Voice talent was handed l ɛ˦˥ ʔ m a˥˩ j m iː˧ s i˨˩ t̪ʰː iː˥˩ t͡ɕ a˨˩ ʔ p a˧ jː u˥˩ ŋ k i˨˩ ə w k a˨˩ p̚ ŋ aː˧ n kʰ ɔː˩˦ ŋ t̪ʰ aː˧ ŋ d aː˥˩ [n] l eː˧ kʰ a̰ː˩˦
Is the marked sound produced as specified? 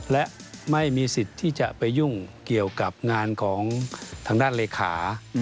yes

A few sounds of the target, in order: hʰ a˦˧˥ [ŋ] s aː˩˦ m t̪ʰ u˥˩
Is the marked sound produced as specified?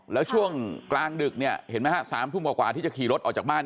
no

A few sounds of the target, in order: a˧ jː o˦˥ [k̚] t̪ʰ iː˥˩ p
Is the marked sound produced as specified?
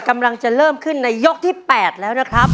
yes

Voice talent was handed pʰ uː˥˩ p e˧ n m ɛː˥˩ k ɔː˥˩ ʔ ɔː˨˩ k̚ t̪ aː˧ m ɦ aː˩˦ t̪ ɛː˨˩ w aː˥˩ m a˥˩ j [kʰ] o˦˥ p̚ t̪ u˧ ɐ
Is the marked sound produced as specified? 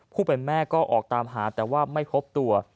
no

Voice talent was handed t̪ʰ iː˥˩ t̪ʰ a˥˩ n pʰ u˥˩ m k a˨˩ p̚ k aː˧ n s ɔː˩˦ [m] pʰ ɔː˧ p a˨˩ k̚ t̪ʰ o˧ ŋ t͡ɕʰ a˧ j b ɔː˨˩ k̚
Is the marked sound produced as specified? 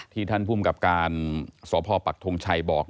no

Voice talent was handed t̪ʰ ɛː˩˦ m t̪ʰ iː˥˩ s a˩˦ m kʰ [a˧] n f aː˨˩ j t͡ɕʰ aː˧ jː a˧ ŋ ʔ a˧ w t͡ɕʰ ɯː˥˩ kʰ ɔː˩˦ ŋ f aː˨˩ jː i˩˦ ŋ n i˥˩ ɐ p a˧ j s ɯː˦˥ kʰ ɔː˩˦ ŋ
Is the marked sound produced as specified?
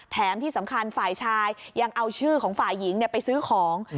yes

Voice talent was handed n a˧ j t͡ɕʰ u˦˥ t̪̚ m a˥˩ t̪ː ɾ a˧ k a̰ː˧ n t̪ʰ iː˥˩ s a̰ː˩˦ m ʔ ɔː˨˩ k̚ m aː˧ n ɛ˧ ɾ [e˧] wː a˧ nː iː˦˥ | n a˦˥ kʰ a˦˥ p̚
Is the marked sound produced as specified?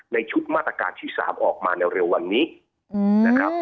yes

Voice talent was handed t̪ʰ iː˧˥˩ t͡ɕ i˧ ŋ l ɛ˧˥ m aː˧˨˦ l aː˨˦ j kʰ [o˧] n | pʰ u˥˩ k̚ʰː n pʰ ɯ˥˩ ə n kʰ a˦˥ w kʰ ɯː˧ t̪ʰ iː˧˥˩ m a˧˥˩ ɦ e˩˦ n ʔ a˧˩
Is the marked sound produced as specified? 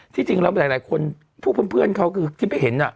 yes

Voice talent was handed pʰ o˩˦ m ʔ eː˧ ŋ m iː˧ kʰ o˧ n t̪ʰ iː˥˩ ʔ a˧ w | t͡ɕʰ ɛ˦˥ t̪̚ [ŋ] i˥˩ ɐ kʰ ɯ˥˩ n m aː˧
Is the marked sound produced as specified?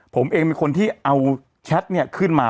no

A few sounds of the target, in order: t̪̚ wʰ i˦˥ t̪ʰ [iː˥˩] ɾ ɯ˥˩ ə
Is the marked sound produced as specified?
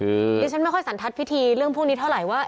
no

